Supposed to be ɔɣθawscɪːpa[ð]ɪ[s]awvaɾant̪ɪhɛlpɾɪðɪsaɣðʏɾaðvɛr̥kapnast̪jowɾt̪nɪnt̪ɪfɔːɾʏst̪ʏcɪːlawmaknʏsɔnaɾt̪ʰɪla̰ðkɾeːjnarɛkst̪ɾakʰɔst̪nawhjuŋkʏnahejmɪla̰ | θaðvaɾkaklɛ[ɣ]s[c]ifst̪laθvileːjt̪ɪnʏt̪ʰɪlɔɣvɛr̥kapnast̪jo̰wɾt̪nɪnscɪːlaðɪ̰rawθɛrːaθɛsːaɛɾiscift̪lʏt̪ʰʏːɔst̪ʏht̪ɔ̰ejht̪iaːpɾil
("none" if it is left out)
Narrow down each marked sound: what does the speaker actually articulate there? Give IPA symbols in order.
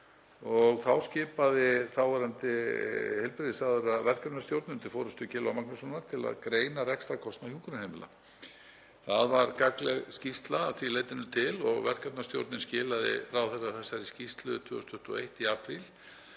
ð, θ, ɣ, c

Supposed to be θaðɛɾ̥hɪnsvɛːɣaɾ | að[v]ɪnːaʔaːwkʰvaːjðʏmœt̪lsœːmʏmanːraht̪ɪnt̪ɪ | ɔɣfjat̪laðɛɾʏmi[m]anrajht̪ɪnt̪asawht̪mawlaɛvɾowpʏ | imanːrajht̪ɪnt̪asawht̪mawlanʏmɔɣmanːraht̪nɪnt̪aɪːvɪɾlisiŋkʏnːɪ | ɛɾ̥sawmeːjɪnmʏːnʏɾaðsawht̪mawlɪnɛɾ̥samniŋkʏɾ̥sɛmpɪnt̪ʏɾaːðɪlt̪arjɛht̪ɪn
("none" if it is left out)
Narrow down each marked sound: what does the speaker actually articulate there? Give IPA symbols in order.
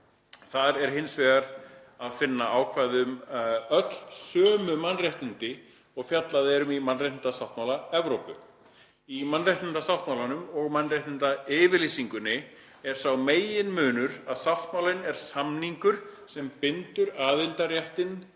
f, m

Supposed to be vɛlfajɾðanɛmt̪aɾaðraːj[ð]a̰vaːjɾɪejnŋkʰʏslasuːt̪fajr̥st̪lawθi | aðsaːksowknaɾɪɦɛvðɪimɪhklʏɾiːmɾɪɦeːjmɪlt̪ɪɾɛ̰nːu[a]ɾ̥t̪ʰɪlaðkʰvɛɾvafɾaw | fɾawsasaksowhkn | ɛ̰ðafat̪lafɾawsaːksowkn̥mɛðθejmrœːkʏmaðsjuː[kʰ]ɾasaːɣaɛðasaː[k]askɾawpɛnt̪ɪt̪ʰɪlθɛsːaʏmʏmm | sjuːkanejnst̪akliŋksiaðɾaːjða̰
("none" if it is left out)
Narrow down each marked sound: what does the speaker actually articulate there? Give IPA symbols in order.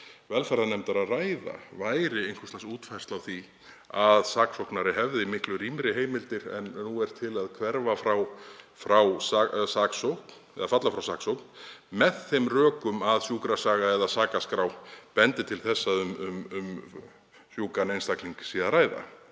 ð, ɛ, k, k

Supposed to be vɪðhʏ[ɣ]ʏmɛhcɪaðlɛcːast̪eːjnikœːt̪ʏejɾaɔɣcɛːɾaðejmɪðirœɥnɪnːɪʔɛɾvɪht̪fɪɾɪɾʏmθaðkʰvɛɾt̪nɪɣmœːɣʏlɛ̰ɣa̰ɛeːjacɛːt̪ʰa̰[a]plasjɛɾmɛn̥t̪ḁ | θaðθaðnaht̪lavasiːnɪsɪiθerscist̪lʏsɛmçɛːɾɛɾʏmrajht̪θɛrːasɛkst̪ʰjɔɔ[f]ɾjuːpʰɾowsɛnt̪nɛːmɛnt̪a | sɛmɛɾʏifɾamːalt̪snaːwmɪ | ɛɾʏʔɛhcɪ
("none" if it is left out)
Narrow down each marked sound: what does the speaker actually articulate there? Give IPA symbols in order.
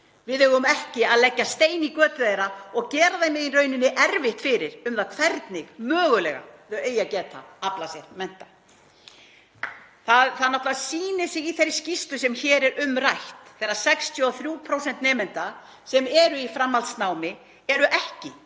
ɣ, a, θ

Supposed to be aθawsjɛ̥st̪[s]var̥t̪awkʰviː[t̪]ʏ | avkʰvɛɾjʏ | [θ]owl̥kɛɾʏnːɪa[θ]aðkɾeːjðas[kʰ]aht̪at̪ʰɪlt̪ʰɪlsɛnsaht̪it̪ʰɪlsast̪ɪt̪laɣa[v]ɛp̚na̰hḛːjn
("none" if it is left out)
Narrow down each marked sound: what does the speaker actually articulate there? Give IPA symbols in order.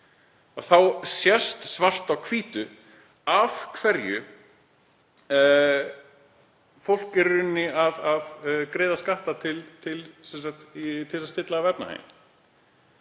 s, t̪, f, ð, k, v

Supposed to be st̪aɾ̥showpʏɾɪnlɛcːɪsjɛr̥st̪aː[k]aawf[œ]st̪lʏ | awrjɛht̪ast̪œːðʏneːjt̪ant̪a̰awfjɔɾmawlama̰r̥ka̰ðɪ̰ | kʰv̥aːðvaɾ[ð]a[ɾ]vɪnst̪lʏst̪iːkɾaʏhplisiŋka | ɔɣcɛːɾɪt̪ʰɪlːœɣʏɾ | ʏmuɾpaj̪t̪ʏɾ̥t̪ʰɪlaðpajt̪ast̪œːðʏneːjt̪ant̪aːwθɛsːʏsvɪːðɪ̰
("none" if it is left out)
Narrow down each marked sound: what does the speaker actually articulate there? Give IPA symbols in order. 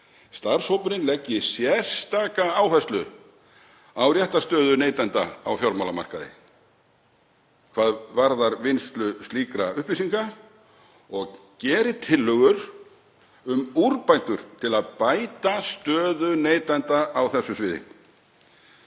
k, ɛ, ð, ɾ

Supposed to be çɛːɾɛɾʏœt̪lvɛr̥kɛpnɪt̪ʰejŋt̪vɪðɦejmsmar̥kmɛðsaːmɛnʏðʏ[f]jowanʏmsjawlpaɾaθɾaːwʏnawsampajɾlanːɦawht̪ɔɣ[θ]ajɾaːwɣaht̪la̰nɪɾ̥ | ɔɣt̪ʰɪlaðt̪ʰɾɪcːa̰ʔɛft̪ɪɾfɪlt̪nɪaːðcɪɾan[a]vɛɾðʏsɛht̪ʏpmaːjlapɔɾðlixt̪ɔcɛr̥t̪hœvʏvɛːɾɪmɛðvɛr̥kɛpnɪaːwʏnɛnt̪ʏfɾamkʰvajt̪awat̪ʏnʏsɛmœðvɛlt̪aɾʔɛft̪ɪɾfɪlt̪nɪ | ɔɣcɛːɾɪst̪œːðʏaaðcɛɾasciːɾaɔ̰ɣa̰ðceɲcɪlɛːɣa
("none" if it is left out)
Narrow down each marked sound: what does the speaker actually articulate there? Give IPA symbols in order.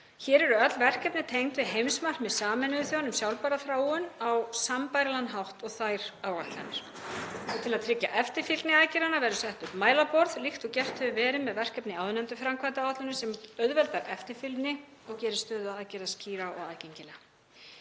θ, θ, a

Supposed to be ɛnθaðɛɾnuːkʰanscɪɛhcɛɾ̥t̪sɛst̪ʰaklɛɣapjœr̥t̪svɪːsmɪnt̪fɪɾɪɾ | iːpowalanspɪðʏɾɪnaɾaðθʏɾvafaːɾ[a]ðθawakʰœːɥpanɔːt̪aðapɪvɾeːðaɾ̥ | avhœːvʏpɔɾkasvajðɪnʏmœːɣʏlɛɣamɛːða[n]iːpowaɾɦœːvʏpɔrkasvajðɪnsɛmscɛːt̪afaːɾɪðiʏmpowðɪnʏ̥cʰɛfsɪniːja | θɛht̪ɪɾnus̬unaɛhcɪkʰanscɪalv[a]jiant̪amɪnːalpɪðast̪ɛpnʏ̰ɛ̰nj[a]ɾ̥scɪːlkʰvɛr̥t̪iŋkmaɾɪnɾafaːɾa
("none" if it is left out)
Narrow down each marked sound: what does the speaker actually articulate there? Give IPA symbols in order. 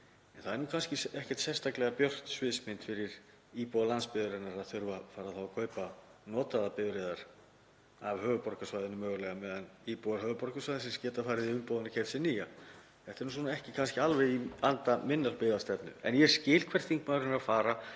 a, n, ɛ, ɛ

